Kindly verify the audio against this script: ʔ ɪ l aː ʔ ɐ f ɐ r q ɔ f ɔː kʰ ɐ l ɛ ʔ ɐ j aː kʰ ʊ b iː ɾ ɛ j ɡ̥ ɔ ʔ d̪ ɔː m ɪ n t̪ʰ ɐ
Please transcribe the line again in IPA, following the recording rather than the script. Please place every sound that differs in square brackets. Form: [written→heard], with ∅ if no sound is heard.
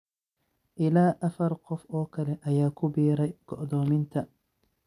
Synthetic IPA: ʔ ɪ l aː ʔ ɐ f ɐ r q ɔ f ɔː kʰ ɐ l ɛ ʔ ɐ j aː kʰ ʊ b iː ɾ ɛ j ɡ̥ ɔ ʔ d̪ ɔː m ɪ n t̪ʰ ɐ